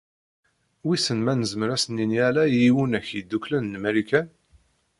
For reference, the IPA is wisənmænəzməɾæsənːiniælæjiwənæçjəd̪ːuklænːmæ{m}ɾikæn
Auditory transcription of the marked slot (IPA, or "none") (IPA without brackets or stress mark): none